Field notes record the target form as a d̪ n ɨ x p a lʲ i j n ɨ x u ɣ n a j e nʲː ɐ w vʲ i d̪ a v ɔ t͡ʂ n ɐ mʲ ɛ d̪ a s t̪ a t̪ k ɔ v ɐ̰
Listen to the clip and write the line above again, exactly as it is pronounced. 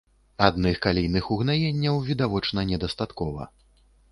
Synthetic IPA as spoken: a d̪ n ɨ x k a lʲ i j n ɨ x u ɣ n a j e nʲː ɐ w vʲ i d̪ a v ɔ t͡ʂ n ɐ nʲ ɛ d̪ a s t̪ a t̪ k ɔ v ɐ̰